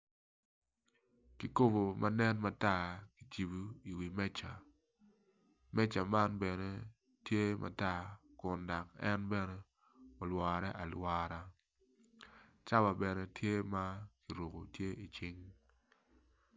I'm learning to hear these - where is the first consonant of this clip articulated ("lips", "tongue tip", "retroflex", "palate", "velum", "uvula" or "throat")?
velum